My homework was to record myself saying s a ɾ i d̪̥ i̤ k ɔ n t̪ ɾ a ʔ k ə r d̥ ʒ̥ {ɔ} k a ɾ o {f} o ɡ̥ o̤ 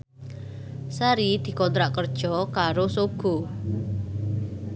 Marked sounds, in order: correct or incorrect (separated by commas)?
correct, incorrect